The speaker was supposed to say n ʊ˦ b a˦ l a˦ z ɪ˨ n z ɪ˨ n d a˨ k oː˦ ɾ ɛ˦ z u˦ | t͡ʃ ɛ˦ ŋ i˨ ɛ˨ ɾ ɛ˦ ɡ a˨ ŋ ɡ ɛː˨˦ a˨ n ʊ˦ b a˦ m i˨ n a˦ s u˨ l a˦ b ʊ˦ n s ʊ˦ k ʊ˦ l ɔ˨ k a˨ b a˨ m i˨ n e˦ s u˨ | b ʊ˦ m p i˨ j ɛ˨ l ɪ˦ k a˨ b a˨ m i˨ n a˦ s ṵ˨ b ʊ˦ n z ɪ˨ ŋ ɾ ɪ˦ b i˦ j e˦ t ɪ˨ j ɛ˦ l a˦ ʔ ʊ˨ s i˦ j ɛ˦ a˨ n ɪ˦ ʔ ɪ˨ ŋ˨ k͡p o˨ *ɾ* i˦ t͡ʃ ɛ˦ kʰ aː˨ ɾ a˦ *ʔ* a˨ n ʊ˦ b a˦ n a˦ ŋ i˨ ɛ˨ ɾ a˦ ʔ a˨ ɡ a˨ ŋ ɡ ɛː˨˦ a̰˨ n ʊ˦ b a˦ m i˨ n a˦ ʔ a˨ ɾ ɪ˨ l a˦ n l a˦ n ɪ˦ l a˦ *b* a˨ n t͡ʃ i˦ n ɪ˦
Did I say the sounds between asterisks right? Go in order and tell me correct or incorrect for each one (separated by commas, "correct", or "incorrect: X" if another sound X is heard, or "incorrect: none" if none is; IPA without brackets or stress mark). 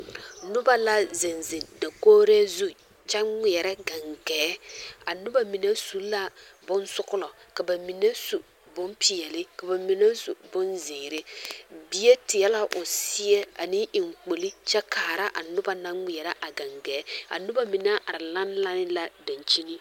incorrect: l, correct, incorrect: d